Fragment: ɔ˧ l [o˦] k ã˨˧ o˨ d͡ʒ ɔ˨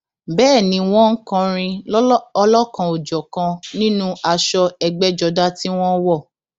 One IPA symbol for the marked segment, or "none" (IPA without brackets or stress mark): ɔ˦